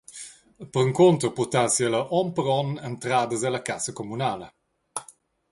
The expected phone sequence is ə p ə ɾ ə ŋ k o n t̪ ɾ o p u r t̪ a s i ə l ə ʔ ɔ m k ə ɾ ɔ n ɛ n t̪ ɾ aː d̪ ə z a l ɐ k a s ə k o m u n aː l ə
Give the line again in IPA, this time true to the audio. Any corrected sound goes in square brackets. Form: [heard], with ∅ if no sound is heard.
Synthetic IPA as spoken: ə p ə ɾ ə ŋ k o n t̪ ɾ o p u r t̪ a s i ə l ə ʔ ɔ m [p] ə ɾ ɔ n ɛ n t̪ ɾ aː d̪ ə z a l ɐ k a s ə k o m u n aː l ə